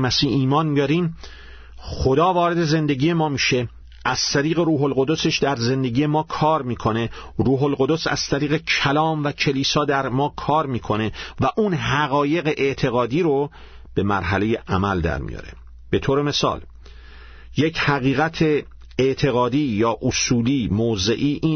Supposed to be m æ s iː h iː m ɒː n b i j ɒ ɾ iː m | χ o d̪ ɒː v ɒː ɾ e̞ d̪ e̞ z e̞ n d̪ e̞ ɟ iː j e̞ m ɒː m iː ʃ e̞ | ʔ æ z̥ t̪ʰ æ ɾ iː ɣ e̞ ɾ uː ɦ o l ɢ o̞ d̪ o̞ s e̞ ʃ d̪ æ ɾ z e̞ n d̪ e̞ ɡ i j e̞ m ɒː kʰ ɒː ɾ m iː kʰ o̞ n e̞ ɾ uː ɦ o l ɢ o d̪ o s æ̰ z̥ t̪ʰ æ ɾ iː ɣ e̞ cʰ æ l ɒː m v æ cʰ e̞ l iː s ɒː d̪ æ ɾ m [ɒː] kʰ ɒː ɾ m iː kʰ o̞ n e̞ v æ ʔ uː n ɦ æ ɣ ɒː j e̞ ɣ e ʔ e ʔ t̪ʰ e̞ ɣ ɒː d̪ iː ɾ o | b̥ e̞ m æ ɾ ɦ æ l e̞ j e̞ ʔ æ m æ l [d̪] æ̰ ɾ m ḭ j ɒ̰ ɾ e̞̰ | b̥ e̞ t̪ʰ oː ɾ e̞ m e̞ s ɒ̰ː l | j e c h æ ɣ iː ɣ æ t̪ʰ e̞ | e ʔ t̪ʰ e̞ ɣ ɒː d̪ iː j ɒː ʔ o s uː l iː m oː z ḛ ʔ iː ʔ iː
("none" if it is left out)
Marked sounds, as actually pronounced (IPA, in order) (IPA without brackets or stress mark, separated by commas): ɒː, d̪